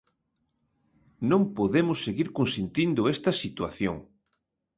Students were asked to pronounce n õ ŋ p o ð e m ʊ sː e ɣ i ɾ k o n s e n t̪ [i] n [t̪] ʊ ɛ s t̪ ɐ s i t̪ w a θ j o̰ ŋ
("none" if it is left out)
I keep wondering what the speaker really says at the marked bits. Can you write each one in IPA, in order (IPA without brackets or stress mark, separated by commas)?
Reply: i, d̪